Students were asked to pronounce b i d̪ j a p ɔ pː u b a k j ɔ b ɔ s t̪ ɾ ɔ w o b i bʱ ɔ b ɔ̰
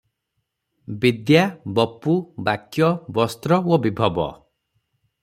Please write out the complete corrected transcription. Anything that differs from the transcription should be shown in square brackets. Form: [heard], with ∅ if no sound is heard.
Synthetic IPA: b i d̪ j a [b] ɔ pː u b a k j ɔ b ɔ s t̪ ɾ ɔ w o b i bʱ ɔ b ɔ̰